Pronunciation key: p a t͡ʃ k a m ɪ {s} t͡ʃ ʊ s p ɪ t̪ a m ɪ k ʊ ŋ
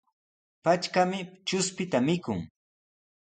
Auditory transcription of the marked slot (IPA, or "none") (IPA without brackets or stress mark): none